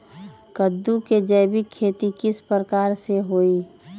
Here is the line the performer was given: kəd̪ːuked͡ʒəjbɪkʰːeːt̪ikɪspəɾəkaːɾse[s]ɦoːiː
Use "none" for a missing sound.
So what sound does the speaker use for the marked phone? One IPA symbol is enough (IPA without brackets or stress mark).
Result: none